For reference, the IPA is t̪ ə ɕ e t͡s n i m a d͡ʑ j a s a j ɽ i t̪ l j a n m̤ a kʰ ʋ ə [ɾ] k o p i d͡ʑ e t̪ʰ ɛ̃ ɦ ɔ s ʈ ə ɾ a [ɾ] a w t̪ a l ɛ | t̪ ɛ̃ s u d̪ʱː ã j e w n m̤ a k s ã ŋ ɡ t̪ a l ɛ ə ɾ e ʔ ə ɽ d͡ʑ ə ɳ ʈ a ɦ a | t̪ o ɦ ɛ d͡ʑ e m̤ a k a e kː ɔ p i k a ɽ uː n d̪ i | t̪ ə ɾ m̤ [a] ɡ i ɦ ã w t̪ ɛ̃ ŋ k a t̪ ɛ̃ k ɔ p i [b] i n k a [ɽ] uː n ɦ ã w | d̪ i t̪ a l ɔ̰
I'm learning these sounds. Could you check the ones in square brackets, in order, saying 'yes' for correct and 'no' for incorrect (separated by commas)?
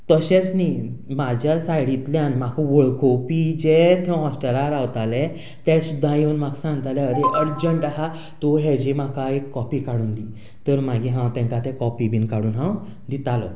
no, yes, yes, yes, yes